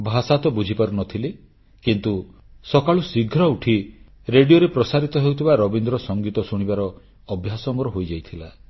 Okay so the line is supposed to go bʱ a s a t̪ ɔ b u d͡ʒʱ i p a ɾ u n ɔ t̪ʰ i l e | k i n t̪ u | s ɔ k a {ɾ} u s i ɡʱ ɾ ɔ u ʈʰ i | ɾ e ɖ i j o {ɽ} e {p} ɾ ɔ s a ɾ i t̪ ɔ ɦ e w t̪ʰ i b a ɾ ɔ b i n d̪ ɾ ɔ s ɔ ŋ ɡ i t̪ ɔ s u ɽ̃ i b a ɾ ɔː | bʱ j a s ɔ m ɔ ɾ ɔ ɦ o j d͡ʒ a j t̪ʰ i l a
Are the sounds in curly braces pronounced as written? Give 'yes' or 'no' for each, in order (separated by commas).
no, no, yes